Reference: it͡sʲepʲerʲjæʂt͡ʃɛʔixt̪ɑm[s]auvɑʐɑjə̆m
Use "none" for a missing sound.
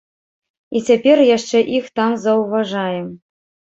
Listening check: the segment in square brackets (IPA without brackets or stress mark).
z